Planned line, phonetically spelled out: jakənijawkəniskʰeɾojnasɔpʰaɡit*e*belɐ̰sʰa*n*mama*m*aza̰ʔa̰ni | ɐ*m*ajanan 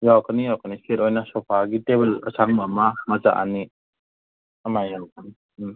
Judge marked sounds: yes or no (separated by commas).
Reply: yes, no, yes, yes